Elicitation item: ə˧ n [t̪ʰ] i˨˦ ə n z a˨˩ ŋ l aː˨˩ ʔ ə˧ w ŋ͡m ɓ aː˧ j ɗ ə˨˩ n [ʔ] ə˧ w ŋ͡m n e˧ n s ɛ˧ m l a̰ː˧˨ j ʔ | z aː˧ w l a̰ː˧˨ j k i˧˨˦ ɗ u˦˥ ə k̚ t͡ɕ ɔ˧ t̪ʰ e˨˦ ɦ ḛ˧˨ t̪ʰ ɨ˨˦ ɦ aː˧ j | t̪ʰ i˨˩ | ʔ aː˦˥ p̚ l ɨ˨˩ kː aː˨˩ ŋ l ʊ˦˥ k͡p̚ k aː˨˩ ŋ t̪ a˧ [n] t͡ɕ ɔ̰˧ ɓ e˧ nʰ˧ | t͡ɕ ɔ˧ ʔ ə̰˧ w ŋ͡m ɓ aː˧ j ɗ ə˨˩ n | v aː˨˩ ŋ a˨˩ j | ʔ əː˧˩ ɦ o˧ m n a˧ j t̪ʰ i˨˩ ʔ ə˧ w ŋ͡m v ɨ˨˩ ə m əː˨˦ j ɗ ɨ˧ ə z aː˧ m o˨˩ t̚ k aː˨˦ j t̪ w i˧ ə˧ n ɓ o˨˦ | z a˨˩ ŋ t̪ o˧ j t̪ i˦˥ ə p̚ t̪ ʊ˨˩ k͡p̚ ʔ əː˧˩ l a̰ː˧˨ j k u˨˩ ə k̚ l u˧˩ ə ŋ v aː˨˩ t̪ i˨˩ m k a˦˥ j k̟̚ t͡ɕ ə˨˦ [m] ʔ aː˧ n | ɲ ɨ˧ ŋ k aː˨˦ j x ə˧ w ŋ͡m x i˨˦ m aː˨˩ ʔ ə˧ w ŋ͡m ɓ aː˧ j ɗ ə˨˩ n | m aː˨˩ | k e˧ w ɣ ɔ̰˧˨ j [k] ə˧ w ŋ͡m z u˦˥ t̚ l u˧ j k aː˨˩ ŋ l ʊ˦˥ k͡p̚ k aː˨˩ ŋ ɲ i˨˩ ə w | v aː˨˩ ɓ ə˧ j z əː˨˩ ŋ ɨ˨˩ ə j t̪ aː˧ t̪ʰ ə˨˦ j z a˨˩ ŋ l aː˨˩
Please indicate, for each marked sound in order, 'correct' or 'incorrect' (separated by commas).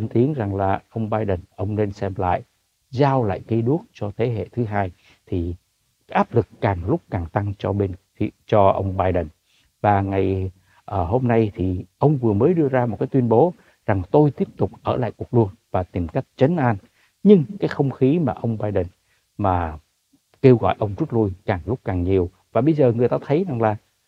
incorrect, correct, incorrect, incorrect, incorrect